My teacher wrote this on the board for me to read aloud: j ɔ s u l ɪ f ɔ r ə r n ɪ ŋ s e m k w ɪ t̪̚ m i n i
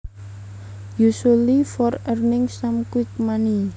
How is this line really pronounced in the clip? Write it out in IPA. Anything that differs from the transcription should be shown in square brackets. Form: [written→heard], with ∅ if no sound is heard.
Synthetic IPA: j [ɔ→u] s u l [ɪ→i] f ɔ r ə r n ɪ ŋ s [e→a] m k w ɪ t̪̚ m [i→a] n i